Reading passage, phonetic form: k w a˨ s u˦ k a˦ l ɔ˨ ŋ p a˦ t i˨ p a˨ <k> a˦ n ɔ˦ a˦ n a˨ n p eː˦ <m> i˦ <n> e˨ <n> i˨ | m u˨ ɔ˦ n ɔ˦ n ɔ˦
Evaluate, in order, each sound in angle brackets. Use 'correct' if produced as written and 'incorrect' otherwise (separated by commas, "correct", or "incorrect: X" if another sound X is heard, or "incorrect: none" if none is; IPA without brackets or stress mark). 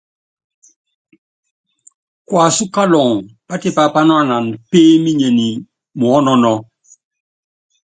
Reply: incorrect: p, correct, incorrect: ɲ, correct